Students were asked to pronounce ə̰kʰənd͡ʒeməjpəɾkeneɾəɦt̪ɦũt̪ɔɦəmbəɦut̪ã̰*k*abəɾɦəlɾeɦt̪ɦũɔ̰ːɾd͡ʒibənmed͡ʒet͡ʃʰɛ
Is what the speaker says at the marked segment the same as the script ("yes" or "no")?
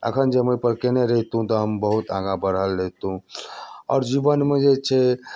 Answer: no